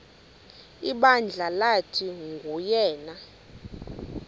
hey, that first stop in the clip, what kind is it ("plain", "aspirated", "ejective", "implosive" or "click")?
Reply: implosive